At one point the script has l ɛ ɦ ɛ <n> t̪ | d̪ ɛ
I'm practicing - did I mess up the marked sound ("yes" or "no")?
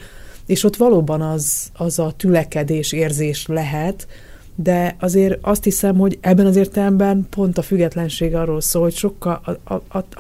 yes